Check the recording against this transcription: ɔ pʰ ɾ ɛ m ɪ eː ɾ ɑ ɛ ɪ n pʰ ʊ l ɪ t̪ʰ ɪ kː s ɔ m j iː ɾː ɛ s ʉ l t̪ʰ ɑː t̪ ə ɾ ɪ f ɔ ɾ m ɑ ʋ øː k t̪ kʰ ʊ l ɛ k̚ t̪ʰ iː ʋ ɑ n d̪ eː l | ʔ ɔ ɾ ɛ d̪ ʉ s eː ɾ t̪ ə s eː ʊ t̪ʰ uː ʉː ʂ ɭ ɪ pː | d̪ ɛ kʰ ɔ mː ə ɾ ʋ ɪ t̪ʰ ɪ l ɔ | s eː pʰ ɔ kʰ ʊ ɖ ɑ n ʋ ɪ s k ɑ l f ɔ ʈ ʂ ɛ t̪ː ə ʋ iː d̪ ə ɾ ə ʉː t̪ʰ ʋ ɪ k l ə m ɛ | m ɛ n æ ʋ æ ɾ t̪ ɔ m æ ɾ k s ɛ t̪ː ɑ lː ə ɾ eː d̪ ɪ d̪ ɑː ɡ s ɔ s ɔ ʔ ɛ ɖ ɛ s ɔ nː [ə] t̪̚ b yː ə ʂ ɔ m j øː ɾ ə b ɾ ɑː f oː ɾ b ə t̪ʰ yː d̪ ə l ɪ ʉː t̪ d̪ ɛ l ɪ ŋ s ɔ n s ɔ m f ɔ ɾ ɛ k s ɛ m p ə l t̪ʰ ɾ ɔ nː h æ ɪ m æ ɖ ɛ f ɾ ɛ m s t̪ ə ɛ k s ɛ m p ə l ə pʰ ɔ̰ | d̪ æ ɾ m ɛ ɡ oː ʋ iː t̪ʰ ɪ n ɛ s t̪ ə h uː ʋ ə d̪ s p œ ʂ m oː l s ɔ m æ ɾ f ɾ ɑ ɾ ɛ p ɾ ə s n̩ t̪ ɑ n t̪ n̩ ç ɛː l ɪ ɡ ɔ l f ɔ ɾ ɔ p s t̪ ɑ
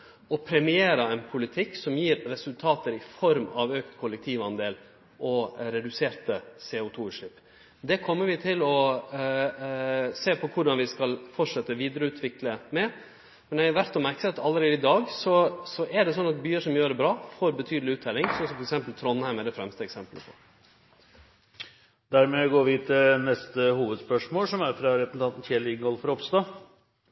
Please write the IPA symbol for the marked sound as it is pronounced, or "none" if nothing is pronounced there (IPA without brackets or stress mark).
ɑ